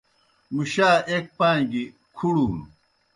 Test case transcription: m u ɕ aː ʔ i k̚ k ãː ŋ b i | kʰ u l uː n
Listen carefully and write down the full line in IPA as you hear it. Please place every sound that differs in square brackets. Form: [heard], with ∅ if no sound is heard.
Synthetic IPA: m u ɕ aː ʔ [e] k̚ [p] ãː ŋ [ɡ] i | kʰ u [ɽ] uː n